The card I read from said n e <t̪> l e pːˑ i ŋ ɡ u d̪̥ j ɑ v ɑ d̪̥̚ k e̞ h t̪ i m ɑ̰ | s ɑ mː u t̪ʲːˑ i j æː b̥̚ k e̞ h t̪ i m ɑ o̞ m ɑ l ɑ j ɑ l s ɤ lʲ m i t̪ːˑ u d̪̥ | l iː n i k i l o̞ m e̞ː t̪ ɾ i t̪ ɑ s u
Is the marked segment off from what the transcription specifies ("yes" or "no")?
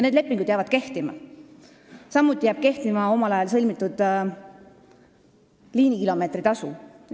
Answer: yes